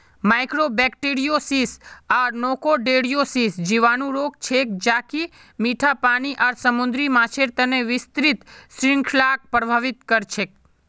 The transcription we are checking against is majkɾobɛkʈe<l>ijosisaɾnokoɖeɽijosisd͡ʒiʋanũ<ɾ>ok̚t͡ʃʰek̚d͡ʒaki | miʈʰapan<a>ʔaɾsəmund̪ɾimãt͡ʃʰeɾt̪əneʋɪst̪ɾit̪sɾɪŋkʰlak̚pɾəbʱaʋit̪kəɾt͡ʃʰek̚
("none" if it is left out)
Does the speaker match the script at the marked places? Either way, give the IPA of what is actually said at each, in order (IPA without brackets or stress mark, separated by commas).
ɾ, ɾ, i